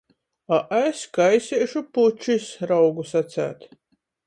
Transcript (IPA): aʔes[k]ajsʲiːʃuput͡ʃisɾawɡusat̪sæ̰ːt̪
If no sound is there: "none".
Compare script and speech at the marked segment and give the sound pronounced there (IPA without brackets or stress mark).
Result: k